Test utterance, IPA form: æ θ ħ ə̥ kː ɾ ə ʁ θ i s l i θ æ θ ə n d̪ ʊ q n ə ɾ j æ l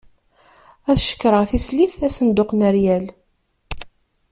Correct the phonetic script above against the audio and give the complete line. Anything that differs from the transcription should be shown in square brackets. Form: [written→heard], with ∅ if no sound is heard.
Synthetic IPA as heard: æ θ [ħ→ʃ] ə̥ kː ɾ ə ʁ θ i s l i θ æ [θ→s] ə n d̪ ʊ q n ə ɾ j æ l